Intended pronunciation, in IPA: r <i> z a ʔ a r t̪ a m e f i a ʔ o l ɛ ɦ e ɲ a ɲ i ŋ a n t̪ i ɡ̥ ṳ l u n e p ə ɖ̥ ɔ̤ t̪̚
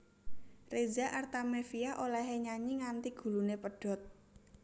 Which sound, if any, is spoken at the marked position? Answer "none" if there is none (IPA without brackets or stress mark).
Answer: e